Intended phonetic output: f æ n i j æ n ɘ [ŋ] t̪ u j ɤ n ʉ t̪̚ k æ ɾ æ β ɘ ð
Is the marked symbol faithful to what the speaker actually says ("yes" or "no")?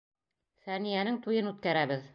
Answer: yes